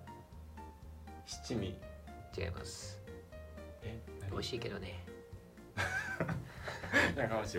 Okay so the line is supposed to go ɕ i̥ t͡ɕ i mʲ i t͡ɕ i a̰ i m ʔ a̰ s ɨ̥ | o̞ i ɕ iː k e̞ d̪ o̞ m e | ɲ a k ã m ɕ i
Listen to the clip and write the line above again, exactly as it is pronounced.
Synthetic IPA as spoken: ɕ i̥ t͡ɕ i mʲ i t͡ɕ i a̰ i m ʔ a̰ s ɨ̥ | o̞ i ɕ iː k e̞ d̪ o̞ n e | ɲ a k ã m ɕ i